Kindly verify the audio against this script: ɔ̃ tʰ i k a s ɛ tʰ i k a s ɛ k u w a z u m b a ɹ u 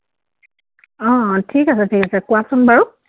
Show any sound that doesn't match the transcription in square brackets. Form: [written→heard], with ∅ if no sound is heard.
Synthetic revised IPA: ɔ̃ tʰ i k a s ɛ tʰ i k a s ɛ k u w a [z→s] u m b a ɹ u